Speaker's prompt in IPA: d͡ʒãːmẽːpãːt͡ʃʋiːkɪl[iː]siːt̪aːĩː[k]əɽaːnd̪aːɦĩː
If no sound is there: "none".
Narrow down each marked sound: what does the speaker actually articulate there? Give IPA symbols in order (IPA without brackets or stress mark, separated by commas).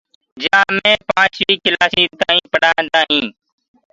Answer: aː, p